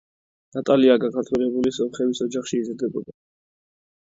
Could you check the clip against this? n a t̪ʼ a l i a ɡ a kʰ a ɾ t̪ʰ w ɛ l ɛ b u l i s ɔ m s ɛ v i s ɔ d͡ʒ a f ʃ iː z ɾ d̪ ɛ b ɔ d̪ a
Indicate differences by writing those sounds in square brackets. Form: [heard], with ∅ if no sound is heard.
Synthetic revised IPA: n a t̪ʼ a l i a ɡ a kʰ a ɾ t̪ʰ w ɛ l ɛ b u l i s ɔ m [χ] ɛ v i s ɔ d͡ʒ a [χ] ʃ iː z ɾ d̪ ɛ b ɔ d̪ a